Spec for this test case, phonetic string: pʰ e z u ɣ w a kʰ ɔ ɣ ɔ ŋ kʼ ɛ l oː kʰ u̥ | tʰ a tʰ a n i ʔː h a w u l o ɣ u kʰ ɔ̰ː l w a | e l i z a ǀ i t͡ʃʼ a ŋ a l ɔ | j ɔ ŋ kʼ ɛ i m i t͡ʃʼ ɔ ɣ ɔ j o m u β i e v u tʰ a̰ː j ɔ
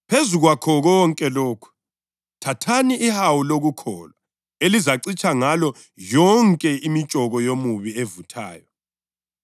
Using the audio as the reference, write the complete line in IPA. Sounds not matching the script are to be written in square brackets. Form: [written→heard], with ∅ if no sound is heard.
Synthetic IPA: pʰ e z u ɣ w a kʰ ɔ ɣ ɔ ŋ kʼ ɛ l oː kʰ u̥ | tʰ a tʰ a n i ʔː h a w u l o ɣ u kʰ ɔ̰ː l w a | e l i z a ǀ i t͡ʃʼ a ŋ a l ɔ | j ɔ ŋ kʼ ɛ i m i t͡ʃʼ ɔ ɣ ɔ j o m u β i e v u tʰ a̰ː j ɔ